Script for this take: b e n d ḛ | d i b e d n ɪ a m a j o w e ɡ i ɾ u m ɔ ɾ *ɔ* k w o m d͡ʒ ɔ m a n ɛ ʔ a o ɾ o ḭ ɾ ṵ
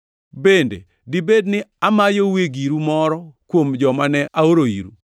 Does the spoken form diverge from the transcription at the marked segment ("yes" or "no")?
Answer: no